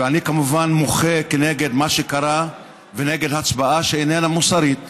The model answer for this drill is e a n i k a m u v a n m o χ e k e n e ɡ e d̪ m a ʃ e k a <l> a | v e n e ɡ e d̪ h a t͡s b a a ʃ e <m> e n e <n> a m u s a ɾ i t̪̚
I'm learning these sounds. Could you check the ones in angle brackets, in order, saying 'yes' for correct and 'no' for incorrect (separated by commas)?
no, no, yes